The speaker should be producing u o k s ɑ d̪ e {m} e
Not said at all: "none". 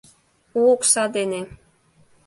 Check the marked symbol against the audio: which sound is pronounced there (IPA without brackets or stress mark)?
n